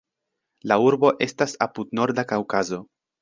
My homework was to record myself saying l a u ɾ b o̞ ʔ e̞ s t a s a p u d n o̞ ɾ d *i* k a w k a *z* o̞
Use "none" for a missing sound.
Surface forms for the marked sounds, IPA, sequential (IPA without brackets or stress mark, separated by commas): a, z